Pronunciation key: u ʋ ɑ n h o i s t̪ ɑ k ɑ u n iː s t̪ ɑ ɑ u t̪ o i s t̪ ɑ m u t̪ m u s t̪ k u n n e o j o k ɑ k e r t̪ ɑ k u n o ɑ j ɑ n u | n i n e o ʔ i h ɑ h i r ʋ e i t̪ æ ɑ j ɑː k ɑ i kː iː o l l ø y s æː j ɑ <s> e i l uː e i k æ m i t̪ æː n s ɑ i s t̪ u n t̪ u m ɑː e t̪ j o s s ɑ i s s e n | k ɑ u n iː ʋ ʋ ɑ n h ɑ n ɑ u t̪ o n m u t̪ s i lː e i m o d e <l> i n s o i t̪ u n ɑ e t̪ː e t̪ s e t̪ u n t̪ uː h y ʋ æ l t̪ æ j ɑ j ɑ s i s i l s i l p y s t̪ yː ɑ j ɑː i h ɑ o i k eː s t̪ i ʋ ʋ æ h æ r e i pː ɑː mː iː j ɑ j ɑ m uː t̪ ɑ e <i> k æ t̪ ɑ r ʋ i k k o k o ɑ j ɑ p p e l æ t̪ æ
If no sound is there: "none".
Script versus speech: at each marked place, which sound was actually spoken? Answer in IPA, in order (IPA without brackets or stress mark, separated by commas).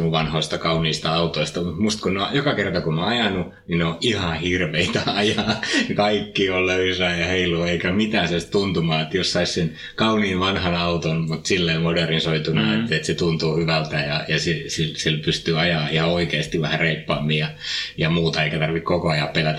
h, r, i